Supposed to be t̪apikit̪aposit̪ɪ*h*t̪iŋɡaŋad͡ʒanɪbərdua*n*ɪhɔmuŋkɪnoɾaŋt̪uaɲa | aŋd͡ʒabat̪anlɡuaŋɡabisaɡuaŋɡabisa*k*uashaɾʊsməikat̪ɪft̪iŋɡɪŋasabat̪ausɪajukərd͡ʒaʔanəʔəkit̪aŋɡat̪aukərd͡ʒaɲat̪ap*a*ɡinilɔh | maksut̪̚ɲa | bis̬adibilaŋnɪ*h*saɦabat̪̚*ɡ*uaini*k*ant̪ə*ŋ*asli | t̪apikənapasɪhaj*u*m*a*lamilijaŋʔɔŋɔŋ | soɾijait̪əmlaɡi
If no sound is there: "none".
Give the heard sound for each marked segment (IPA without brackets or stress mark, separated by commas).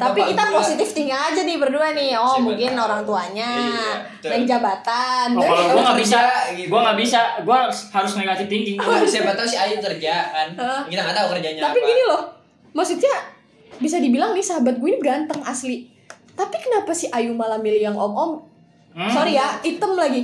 f, n, ɡ, i, h, ɡ, ɡ, ŋ, u, a